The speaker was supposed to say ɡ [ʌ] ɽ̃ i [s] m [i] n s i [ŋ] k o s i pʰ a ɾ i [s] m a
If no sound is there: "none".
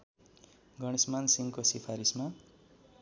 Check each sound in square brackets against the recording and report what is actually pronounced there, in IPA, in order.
ʌ, s, a, ŋ, s

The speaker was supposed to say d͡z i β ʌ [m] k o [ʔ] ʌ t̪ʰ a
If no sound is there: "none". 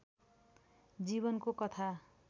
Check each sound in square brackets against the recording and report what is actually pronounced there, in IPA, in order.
n, k

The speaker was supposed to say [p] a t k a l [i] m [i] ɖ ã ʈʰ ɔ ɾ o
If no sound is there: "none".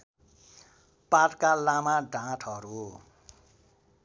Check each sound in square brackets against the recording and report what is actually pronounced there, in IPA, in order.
p, a, a

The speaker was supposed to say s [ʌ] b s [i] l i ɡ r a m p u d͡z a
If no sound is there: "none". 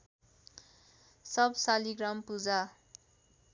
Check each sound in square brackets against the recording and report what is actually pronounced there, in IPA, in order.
ʌ, a

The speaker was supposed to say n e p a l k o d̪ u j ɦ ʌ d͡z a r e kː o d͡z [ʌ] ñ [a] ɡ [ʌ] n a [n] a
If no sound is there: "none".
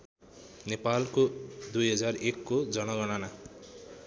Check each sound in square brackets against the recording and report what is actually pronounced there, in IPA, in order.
ʌ, ʌ, ʌ, n

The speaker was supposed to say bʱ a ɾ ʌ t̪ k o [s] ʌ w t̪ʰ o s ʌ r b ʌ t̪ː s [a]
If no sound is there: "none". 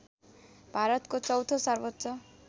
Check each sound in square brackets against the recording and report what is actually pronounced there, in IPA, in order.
t͡s, ʌ

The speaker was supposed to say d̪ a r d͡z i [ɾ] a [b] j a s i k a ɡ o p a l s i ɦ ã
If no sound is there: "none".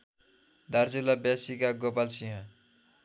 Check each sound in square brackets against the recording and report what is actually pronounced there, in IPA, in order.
l, b

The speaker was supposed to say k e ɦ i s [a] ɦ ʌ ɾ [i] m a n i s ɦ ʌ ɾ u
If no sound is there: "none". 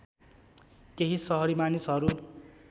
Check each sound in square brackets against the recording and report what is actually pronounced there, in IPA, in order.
ʌ, i

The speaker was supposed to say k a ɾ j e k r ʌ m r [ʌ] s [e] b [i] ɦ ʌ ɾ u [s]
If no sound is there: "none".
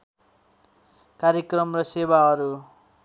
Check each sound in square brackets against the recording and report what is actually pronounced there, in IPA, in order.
ʌ, e, a, none

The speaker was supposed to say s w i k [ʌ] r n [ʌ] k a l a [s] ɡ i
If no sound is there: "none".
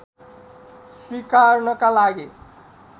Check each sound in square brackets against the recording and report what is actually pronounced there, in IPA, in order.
a, ʌ, none

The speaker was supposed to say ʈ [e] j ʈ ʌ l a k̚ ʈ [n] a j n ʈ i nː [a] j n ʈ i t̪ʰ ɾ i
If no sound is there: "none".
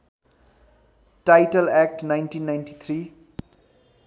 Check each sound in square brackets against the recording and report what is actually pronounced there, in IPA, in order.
a, n, a

